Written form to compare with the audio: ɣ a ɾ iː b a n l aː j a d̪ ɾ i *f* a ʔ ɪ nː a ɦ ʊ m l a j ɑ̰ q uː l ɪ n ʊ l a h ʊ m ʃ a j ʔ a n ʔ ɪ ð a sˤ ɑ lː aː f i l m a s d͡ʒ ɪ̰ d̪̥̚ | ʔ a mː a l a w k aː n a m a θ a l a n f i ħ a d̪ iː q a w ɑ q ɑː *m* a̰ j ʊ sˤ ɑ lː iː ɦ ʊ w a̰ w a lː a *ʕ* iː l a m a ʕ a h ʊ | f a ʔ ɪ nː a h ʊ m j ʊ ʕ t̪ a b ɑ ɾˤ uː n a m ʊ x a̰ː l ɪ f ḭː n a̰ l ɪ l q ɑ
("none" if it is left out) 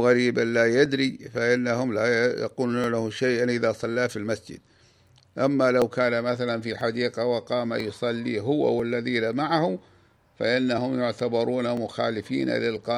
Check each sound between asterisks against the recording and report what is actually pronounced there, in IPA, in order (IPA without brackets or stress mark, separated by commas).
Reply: f, m, ð